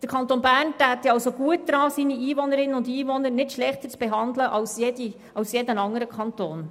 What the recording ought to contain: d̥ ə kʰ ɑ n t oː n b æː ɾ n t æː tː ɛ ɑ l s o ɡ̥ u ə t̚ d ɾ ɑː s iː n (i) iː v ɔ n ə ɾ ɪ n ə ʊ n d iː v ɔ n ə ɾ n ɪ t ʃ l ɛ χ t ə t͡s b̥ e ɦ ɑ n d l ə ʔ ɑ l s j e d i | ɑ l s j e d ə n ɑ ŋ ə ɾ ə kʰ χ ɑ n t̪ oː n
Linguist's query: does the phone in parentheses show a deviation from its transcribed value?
no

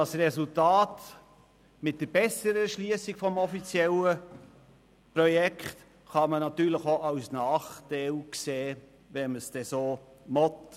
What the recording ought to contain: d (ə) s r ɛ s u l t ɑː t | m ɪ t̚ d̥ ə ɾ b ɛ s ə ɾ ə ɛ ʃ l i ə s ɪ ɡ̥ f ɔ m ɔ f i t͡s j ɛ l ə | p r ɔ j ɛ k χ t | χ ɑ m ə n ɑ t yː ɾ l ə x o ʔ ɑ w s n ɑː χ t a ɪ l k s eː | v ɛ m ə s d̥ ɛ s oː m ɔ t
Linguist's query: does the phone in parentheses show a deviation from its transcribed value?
yes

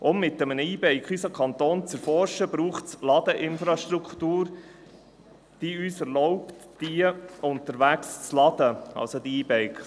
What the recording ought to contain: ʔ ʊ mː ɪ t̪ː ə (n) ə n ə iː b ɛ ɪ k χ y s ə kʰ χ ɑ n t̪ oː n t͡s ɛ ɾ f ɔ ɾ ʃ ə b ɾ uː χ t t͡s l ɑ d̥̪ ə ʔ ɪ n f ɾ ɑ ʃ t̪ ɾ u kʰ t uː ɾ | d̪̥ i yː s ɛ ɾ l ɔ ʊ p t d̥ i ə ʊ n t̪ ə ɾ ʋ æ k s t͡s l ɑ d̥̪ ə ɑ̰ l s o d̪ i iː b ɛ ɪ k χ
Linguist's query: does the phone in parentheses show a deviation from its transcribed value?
yes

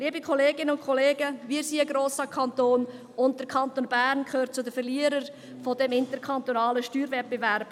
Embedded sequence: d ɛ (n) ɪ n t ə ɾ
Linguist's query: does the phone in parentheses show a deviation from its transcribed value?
yes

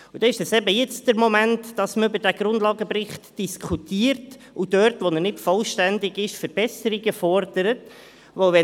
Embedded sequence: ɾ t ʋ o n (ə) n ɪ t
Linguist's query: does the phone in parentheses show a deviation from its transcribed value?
no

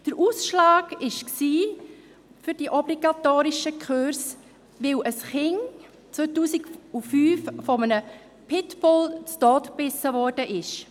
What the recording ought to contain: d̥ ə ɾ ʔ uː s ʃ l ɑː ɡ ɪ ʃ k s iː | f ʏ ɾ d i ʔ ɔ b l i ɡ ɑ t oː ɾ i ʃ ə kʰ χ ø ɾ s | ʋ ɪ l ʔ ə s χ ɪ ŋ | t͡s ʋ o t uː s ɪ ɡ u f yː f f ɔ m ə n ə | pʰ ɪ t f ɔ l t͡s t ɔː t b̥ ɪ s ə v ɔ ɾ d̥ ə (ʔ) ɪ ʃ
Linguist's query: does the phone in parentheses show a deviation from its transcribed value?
no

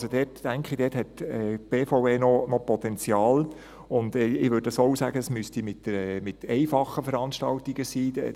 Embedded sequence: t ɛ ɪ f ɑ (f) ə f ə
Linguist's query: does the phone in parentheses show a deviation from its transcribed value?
yes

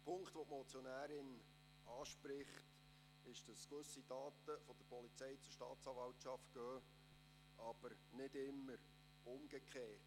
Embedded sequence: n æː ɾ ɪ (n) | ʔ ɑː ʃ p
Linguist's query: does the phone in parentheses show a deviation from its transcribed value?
no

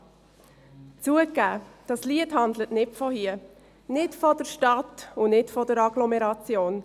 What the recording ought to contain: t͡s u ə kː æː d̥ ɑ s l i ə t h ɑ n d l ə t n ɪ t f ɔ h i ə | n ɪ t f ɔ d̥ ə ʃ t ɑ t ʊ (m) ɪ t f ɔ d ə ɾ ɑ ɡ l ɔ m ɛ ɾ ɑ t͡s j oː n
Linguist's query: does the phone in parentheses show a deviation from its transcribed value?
yes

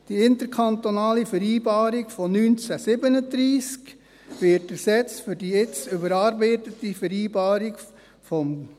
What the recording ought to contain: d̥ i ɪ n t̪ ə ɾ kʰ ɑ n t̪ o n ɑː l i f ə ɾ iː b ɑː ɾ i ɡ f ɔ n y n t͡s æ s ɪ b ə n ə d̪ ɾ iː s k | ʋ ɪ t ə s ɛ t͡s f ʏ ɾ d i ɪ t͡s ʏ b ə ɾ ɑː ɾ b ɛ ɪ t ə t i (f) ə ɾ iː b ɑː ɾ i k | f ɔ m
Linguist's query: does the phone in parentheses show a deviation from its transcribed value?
no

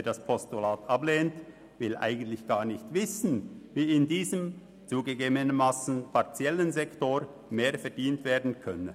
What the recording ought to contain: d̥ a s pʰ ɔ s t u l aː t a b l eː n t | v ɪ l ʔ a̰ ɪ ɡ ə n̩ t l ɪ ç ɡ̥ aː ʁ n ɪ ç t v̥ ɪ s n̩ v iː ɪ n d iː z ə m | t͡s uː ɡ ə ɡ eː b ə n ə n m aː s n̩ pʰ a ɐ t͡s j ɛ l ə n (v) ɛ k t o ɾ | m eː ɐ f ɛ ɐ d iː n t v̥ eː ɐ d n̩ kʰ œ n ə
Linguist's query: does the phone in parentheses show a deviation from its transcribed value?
yes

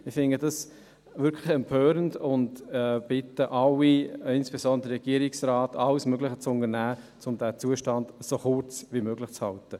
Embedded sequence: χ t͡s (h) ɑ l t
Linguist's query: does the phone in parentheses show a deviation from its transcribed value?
no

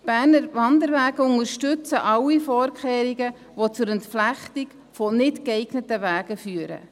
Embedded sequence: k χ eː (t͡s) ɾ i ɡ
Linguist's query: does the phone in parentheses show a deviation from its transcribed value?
yes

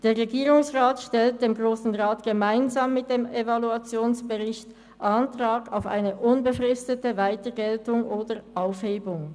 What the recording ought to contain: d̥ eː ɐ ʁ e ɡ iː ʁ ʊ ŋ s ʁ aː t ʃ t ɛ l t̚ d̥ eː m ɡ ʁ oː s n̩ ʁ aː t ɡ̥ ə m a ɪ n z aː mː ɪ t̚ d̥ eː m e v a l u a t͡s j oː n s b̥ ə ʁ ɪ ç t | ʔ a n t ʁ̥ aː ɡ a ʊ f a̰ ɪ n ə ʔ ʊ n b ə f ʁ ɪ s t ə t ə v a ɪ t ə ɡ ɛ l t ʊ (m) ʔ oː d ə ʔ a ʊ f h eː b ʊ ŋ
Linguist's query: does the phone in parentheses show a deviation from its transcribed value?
yes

